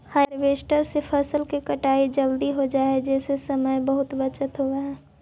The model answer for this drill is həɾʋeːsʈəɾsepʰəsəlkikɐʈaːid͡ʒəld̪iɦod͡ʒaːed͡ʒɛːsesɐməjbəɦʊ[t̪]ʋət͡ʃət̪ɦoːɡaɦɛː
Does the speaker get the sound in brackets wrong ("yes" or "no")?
no